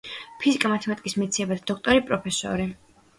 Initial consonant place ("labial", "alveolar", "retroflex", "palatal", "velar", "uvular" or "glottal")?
labial